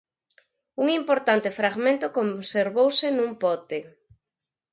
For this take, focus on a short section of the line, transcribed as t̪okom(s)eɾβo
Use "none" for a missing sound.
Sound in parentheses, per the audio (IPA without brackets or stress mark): s